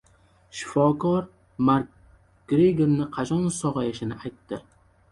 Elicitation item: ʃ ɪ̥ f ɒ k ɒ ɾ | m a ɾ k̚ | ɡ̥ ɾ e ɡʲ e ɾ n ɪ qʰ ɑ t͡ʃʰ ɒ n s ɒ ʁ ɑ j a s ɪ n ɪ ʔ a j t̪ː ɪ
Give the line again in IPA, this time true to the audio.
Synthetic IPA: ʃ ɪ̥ f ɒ k ɒ ɾ | m a ɾ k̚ | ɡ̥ ɾ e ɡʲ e ɾ n ɪ qʰ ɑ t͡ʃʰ ɒ n s ɒ ʁ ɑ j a ʃ ɪ n ɪ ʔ a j t̪ː ɪ